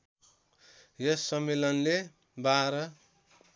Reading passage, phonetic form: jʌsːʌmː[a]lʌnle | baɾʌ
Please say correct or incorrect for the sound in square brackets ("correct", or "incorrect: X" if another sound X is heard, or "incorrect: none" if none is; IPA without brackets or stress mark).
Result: incorrect: e